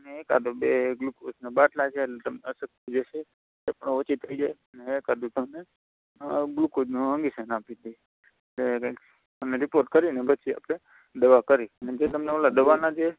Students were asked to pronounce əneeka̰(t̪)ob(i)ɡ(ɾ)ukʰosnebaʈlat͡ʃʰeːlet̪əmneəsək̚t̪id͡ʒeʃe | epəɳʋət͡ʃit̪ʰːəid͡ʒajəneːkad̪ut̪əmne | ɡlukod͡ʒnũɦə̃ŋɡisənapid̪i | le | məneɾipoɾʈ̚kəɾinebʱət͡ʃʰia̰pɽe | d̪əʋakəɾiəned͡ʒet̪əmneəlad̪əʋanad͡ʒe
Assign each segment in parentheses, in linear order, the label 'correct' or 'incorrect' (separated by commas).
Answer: incorrect, incorrect, incorrect